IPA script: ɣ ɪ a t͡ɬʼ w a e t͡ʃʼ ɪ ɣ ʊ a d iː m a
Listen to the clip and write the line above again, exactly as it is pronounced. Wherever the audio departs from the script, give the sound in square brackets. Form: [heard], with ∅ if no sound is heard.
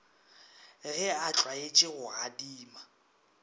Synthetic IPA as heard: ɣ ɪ a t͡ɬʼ w a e t͡ʃʼ ɪ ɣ ʊ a d iː m a